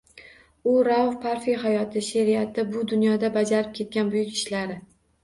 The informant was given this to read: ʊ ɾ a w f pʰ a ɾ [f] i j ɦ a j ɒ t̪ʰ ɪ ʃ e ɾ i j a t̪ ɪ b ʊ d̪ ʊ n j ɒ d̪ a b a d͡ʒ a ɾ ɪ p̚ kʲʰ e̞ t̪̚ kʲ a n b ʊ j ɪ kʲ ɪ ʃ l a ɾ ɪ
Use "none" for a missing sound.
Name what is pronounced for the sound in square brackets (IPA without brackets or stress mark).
f